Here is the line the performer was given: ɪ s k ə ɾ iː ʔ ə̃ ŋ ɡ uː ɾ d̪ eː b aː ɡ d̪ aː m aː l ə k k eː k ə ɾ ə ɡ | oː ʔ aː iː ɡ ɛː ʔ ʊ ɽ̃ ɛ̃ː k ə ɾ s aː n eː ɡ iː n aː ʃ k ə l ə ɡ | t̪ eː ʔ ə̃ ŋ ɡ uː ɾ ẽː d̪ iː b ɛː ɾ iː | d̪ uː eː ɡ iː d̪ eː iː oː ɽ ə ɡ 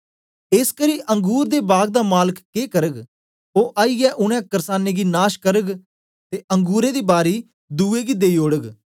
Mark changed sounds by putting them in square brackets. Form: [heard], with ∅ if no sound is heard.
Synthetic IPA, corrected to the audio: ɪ s k ə ɾ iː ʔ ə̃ ŋ ɡ uː ɾ d̪ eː b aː ɡ d̪ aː m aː l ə k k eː k ə ɾ ə ɡ | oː ʔ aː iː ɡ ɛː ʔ ʊ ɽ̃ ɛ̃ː k ə ɾ s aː n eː ɡ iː n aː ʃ k ə [ɾ] ə ɡ | t̪ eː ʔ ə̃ ŋ ɡ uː ɾ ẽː d̪ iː b [aː] ɾ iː | d̪ uː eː ɡ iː d̪ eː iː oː ɽ ə ɡ